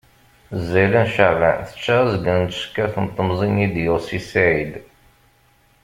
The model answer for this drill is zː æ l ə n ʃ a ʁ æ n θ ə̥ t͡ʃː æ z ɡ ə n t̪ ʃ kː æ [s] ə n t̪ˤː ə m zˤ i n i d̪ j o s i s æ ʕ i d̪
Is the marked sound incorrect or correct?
incorrect